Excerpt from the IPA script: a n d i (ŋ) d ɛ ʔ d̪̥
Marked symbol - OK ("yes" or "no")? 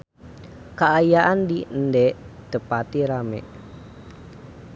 no